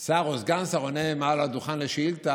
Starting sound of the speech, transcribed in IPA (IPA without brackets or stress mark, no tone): s